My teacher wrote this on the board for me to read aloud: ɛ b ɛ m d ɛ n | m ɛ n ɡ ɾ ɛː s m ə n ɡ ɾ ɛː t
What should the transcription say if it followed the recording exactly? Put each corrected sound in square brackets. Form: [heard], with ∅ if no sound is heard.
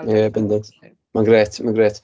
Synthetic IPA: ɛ b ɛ [n] d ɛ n | m [a] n ɡ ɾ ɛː [t] m [a] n ɡ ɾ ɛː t